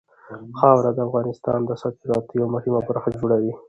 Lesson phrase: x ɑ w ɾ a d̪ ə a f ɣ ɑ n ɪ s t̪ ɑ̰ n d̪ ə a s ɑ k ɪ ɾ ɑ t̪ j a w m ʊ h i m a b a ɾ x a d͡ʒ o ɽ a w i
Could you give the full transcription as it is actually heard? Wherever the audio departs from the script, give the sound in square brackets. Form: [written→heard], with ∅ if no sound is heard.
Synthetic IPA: x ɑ w ɾ a d̪ ə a f ɣ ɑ n ɪ s t̪ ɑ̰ n d̪ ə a s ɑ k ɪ ɾ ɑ t̪ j a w m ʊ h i m a b a ɾ x a d͡ʒ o ɽ a w i